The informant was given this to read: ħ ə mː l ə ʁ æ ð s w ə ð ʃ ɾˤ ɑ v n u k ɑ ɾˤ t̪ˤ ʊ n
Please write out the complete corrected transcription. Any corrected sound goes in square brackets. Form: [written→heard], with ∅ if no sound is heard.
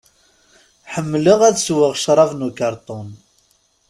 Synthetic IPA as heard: ħ ə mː l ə ʁ æ ð s w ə [ð→ʁ] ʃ ɾˤ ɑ v n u k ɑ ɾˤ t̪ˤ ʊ n